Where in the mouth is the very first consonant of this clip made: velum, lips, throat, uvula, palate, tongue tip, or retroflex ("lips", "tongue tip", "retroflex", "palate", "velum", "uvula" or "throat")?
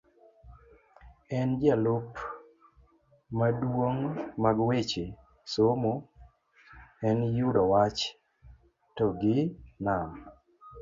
tongue tip